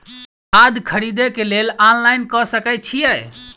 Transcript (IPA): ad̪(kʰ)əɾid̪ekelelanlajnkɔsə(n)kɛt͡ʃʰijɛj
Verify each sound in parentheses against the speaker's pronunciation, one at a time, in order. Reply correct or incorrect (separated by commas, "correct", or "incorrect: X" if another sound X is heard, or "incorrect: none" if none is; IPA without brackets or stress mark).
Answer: correct, incorrect: none